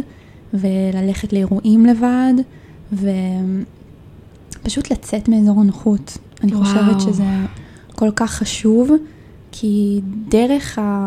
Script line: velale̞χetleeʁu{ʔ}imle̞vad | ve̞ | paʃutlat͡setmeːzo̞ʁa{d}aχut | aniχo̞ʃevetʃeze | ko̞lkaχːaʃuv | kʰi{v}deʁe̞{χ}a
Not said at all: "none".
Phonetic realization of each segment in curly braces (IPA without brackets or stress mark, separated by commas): ʔ, n, none, χ